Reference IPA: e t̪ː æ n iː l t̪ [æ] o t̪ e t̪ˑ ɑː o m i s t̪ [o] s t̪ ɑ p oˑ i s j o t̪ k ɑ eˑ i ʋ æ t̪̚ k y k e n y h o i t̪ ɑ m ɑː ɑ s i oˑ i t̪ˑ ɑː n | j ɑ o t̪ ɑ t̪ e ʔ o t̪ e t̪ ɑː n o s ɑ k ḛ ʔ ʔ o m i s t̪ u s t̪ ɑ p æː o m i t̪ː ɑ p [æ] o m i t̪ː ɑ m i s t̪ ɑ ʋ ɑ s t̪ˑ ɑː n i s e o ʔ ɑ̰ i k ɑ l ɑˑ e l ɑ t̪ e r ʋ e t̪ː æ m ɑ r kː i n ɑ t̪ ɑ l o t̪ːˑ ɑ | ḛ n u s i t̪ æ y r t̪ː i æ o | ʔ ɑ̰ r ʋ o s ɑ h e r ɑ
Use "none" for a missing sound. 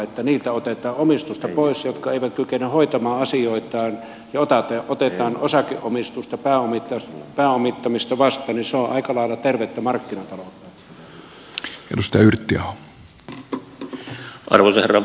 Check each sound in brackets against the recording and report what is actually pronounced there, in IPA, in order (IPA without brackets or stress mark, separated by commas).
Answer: æ, u, æː